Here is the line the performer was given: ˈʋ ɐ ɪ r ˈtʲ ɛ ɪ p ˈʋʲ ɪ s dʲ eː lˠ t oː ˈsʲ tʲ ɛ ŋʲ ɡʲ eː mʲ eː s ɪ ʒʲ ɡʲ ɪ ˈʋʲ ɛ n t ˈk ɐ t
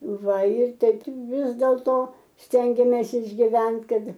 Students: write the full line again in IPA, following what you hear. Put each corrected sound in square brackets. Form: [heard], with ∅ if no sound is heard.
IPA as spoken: ˈʋ ɐ ɪ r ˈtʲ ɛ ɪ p ˈʋʲ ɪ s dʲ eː lˠ t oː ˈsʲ tʲ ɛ ŋʲ ɡʲ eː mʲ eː s ɪ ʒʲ ɡʲ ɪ ˈʋʲ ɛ n t ˈk ɐ t